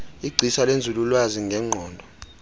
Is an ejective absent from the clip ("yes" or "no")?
yes